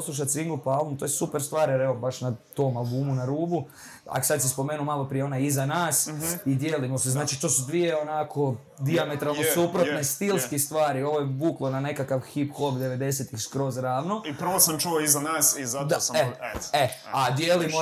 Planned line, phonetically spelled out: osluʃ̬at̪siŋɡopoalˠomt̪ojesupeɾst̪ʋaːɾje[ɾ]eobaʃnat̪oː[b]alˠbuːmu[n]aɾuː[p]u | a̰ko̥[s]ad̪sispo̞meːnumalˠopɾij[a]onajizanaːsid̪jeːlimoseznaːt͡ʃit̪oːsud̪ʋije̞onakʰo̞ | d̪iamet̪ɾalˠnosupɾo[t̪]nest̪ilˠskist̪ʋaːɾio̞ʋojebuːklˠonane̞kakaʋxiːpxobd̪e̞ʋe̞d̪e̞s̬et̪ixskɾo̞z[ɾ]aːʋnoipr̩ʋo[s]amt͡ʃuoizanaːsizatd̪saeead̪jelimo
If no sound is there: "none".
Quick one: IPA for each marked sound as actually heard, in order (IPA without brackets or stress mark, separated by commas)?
ɾ, m, n, b, s, e, t̪, ɾ, s